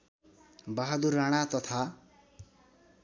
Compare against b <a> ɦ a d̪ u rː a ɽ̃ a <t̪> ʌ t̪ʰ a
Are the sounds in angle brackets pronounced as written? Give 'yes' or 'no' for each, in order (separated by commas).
yes, yes